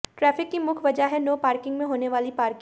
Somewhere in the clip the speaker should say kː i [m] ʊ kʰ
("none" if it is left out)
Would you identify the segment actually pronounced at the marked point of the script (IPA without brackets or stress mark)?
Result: m